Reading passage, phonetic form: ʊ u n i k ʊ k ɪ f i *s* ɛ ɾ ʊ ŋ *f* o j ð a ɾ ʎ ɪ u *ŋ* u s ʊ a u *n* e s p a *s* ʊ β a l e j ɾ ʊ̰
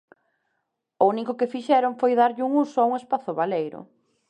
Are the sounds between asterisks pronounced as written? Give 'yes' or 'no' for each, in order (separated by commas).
no, yes, yes, no, no